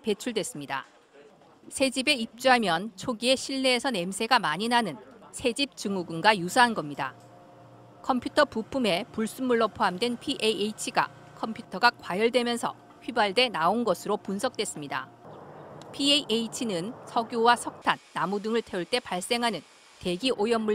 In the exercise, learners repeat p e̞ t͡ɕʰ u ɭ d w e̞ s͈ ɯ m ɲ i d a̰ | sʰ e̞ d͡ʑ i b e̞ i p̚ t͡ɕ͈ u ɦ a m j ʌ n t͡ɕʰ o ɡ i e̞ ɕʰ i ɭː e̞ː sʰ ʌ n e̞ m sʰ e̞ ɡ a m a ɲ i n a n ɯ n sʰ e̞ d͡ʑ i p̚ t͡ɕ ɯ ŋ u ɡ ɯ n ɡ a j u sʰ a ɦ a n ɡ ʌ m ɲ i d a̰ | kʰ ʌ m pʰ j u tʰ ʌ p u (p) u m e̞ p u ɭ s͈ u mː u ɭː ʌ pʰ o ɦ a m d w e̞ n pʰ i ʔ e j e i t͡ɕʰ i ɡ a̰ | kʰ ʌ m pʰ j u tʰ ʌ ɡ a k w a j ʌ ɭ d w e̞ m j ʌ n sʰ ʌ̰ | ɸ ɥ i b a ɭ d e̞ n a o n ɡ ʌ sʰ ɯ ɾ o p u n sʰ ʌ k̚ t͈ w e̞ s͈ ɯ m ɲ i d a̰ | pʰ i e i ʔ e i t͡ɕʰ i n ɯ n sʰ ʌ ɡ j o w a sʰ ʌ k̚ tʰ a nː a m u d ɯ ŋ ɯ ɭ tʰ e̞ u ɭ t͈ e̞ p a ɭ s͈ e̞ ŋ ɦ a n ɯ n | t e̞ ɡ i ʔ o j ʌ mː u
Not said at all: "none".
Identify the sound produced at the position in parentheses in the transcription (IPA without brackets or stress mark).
pʰ